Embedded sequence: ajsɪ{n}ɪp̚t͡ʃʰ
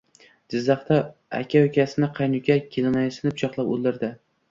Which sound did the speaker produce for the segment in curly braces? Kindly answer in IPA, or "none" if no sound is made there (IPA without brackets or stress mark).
n